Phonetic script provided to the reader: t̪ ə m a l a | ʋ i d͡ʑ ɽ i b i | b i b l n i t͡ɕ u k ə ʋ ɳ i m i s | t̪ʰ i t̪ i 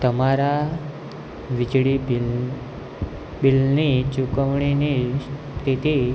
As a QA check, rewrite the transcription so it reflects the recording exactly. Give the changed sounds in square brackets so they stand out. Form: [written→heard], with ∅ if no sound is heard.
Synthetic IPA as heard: t̪ ə m a [l→ɾ] a | ʋ i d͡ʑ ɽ i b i | b i [b→∅] l n i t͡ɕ u k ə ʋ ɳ i [m→n] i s | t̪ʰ i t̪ i